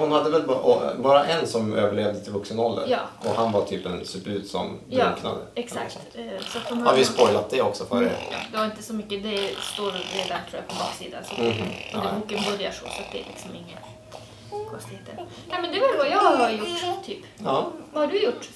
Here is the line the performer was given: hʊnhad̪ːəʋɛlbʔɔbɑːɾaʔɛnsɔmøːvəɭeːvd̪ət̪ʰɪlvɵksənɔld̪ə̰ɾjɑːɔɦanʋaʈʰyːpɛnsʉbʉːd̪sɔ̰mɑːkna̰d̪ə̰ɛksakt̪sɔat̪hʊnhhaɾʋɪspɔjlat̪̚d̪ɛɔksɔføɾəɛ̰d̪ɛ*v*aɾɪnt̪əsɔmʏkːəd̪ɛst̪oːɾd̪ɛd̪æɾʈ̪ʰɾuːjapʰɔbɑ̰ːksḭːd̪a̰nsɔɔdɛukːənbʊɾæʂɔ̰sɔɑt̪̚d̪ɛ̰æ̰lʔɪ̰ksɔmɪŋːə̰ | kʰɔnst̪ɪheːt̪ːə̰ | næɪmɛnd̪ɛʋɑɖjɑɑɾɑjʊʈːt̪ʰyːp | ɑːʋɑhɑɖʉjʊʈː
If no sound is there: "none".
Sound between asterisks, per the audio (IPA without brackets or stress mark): ʋ